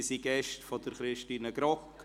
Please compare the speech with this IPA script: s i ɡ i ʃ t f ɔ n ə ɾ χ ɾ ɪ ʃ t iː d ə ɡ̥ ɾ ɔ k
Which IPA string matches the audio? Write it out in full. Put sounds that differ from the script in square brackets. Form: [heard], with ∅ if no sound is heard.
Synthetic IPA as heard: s i ɡ [ɛ] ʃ t f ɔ [d] ə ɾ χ ɾ ɪ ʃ t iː [n] ə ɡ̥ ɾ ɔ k